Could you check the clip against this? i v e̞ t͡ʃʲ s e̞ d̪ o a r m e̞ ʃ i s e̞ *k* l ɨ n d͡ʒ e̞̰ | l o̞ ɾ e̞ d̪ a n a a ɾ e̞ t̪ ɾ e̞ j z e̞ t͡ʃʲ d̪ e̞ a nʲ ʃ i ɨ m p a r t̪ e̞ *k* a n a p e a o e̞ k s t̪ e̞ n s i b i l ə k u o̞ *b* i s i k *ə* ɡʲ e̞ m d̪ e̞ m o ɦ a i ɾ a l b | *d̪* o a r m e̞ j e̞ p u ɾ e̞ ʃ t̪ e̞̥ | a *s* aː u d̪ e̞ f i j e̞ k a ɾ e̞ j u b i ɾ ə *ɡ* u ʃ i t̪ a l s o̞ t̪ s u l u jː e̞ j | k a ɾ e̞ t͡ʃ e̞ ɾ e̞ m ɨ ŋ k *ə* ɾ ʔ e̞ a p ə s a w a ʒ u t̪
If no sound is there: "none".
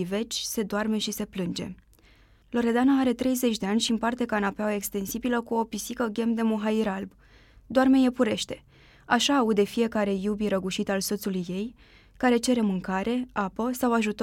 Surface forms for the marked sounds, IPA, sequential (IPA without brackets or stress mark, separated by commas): p, k, p, ə, d̪, ʃ, ɡ, a